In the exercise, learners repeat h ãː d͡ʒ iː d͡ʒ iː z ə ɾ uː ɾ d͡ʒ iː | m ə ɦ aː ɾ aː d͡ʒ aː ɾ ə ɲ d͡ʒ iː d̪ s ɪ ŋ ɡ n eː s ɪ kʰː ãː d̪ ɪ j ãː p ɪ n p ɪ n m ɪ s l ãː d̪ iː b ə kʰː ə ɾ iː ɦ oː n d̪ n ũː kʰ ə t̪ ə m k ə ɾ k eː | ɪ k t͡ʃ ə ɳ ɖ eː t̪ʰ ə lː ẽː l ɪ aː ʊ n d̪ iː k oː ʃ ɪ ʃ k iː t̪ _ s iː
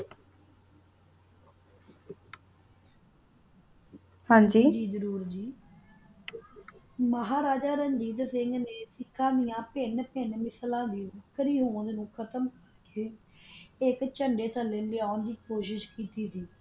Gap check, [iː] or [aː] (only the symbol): iː